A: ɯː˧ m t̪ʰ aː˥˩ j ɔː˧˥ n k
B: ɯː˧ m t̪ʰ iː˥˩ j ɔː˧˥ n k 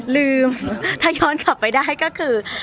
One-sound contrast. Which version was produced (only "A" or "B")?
A